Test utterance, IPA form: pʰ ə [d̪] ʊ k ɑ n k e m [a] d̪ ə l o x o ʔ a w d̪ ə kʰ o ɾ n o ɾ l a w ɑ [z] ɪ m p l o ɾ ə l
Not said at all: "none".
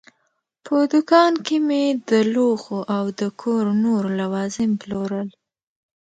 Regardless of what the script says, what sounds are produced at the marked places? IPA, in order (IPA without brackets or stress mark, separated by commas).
d̪, e, z